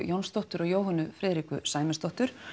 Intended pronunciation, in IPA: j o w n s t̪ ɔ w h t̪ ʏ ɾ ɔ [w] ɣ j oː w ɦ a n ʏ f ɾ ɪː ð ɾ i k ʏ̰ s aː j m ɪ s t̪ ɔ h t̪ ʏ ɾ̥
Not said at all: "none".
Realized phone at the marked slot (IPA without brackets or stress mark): none